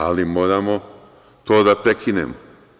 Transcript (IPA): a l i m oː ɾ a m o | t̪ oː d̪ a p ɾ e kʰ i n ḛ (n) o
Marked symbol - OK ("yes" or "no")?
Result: no